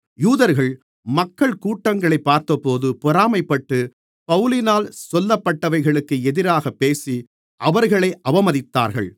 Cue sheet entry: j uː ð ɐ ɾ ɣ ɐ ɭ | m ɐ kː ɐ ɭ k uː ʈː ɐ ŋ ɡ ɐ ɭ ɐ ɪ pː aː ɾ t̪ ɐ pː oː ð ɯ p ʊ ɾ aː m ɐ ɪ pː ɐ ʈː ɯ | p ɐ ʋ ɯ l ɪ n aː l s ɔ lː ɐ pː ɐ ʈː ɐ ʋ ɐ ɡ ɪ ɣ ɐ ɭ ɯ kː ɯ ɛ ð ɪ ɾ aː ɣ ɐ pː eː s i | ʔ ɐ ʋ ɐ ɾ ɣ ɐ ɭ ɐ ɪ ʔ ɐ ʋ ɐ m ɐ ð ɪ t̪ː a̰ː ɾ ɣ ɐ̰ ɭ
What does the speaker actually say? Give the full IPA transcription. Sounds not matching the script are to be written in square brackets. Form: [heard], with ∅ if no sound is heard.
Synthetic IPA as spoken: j uː ð ɐ ɾ ɣ ɐ ɭ | m ɐ kː ɐ ɭ k uː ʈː ɐ ŋ ɡ ɐ ɭ ɐ ɪ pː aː ɾ t̪ ɐ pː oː ð ɯ p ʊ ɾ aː m ɐ ɪ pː ɐ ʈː ɯ | p ɐ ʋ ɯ l ɪ n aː l s ɔ lː ɐ pː ɐ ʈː ɐ ʋ ɐ [∅] ɪ ɣ ɐ ɭ ɯ kː ɯ ɛ ð ɪ ɾ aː ɣ ɐ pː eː s i | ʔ ɐ ʋ ɐ ɾ ɣ ɐ ɭ ɐ ɪ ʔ ɐ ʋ ɐ m ɐ ð ɪ t̪ː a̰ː ɾ ɣ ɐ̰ ɭ